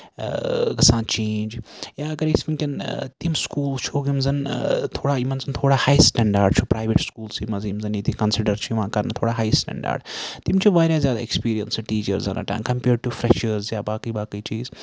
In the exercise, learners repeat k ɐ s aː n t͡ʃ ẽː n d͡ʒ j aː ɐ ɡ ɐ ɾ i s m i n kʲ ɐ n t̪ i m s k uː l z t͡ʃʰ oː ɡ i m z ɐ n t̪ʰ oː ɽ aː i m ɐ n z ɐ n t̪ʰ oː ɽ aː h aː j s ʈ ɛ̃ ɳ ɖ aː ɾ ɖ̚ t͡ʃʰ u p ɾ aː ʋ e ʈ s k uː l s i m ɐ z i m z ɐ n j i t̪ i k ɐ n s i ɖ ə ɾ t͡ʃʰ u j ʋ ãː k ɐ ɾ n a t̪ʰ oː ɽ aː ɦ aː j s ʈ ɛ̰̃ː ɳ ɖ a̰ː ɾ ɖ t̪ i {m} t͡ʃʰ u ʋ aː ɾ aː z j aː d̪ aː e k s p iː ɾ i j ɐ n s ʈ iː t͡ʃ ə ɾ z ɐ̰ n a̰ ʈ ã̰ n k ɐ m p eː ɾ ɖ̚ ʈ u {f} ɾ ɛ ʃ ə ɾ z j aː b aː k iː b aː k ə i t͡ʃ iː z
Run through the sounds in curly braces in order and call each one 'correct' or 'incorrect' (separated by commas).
correct, correct